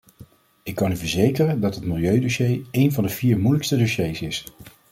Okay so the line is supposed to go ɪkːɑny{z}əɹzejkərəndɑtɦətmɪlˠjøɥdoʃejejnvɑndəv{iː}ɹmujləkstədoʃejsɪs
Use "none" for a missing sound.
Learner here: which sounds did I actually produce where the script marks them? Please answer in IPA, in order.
v, iː

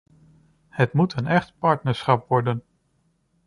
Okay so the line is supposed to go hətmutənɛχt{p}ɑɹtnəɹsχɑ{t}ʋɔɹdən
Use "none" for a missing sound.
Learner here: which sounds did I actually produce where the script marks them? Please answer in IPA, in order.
p, p

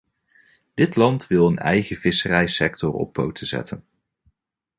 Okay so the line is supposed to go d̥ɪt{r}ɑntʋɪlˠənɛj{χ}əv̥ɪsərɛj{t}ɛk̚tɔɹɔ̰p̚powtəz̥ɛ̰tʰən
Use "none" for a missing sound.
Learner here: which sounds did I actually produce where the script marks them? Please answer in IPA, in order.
l, χ, s

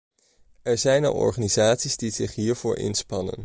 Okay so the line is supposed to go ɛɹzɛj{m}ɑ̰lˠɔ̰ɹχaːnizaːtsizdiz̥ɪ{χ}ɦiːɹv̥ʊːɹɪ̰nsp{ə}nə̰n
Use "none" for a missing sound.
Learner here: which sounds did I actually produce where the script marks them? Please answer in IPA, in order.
n, χ, ɑ

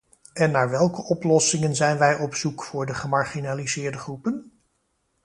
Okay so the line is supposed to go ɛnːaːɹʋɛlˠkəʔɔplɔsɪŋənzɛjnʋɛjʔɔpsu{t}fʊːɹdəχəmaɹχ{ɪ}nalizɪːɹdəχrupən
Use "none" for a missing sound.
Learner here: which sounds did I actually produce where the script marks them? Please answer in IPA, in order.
k, i

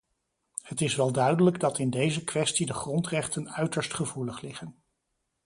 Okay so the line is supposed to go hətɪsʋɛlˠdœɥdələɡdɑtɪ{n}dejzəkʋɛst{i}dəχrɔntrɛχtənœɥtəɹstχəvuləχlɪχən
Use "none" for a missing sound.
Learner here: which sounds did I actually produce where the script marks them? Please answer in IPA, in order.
n, i

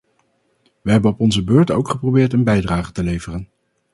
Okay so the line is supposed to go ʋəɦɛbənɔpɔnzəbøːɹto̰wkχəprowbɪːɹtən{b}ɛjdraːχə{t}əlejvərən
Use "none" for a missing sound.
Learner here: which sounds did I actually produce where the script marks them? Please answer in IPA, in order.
b, t

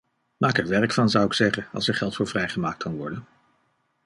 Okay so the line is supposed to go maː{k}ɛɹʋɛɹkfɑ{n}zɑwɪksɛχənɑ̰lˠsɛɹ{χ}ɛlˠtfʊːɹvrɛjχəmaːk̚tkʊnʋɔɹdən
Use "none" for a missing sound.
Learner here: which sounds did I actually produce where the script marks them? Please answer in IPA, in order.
k, n, χ

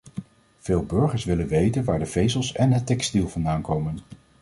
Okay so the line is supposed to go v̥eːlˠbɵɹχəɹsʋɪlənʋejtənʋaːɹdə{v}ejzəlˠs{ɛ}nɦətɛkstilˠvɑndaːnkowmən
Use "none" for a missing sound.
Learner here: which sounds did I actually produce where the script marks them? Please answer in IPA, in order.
v, ɛ

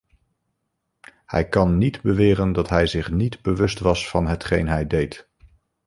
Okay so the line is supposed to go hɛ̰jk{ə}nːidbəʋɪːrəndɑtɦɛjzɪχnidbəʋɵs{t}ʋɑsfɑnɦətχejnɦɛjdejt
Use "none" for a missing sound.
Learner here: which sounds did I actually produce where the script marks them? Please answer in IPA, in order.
ɑ, t

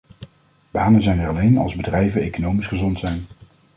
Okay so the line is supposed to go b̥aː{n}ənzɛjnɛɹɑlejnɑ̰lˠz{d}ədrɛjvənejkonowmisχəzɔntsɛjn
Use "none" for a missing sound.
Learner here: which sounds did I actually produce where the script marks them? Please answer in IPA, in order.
n, b

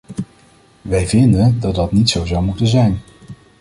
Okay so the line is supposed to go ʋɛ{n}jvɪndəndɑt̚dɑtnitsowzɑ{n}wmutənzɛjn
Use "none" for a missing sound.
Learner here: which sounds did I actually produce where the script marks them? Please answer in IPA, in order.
none, none

